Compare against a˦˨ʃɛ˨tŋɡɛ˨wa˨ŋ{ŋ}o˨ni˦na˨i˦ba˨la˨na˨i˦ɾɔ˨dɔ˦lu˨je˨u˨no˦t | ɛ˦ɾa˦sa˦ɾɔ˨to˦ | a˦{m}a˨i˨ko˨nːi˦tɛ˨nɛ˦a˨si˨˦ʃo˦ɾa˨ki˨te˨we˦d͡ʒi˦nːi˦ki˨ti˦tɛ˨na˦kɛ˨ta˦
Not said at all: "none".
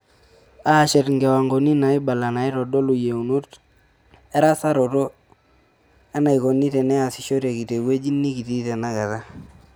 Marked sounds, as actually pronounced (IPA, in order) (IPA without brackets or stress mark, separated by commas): ɡ, n